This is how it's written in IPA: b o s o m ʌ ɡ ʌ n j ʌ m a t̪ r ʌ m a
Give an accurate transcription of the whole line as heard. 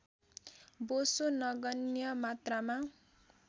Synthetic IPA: b o s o n ʌ ɡ ʌ n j ʌ m a t̪ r a m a